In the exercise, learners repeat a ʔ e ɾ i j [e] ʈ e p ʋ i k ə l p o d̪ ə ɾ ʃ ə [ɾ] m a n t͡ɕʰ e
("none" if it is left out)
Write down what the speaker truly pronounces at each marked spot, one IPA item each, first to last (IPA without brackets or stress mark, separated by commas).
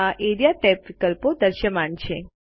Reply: a, none